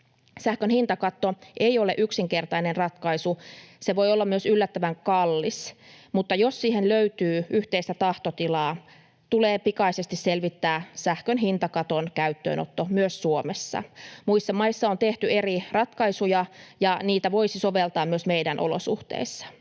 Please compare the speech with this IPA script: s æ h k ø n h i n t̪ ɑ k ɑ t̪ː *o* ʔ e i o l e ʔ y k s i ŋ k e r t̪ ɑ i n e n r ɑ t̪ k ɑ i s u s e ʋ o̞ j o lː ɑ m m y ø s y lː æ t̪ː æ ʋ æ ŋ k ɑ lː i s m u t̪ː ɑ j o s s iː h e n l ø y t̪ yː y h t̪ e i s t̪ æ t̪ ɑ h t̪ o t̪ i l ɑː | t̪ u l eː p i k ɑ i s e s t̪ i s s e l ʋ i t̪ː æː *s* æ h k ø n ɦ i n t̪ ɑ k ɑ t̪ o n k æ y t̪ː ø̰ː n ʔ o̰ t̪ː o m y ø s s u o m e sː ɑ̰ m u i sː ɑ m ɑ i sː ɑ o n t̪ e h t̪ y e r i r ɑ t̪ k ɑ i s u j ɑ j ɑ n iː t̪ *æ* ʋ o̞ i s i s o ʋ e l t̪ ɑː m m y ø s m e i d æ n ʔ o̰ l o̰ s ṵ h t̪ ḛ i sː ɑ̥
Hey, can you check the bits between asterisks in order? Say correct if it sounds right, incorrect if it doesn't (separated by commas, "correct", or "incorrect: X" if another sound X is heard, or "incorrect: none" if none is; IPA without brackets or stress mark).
correct, correct, correct